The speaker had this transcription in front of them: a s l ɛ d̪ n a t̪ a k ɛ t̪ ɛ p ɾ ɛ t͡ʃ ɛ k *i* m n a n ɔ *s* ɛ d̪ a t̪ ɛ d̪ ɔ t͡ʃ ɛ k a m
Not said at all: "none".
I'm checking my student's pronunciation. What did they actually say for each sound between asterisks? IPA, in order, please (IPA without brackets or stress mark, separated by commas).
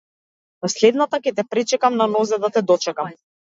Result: a, z